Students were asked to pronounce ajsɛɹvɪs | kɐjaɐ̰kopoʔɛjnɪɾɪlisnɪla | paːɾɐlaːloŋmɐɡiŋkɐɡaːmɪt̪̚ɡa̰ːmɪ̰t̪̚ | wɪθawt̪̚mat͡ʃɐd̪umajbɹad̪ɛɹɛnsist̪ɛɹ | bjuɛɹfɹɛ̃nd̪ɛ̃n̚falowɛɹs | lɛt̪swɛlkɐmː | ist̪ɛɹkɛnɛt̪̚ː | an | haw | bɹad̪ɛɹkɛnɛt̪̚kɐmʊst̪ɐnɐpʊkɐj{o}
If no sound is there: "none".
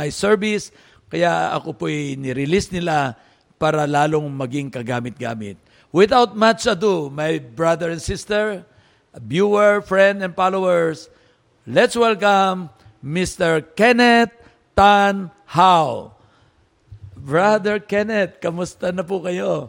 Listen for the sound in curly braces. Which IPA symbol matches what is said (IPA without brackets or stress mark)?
o